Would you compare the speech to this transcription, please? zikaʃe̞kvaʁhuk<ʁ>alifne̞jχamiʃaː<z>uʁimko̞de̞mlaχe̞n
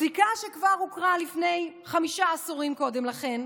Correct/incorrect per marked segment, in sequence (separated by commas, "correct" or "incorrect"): correct, incorrect